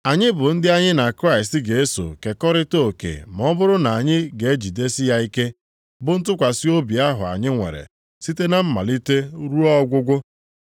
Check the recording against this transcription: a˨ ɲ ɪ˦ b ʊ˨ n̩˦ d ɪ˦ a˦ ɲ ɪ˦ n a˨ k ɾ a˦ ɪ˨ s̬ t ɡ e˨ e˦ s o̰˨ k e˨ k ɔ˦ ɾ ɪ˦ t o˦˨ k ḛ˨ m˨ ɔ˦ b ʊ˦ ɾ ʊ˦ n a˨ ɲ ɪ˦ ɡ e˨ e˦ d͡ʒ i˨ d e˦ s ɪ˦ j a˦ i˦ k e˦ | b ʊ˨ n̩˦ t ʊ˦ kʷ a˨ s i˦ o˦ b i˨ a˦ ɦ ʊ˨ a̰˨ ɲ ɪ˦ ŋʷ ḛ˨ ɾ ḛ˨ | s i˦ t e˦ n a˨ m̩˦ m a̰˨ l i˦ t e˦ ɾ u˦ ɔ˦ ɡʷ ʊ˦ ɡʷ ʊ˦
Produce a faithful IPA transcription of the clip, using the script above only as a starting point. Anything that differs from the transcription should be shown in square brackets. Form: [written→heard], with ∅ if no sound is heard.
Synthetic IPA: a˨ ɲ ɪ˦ b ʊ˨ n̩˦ d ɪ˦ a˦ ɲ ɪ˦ n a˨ k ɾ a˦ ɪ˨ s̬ t ɡ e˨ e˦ s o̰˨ k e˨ k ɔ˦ ɾ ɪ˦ t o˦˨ k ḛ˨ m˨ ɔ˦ b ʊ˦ ɾ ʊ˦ n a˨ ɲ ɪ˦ ɡ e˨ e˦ d͡ʒ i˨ d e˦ s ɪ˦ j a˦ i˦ k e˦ | b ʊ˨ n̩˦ t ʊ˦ kʷ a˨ s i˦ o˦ b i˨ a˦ ɦ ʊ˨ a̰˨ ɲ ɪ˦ ŋʷ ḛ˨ ɾ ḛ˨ | s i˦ t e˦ n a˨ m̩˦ m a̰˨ l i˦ t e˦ ɾ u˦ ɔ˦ ɡʷ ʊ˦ ɡʷ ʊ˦